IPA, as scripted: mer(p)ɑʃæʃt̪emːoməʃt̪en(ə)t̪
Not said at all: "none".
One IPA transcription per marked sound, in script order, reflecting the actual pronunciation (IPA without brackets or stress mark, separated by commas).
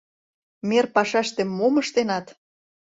p, ɑ